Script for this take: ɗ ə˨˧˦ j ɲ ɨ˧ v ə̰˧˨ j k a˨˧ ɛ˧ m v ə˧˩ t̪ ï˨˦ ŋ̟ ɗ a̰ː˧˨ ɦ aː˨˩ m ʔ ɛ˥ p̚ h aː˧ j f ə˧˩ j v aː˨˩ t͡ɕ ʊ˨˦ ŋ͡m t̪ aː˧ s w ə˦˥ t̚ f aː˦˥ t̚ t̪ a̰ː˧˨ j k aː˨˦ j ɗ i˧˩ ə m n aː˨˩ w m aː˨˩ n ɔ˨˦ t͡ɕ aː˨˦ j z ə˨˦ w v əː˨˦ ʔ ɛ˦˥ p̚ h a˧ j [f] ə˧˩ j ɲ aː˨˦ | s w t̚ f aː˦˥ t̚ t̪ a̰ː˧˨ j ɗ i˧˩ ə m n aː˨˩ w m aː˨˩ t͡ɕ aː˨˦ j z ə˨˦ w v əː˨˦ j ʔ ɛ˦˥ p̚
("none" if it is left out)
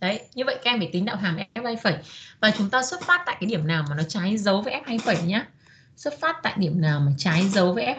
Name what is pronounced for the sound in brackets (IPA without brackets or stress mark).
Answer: f